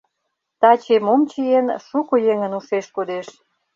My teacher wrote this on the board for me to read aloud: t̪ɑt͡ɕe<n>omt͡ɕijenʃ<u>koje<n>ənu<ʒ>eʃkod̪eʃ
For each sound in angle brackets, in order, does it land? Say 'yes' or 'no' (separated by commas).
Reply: no, yes, no, no